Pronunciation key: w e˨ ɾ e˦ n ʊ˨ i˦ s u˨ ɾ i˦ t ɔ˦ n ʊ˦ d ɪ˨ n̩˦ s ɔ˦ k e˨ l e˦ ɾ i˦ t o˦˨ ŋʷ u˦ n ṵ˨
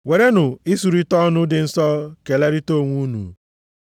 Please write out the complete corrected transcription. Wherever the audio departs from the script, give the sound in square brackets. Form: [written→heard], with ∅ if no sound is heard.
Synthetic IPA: w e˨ ɾ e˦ n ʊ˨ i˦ s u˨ ɾ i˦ t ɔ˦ n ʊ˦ d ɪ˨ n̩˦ s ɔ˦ k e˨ l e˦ ɾ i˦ t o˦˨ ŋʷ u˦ n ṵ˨